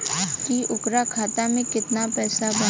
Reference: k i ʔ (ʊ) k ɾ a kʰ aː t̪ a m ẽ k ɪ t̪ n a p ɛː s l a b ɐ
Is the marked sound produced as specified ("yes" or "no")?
yes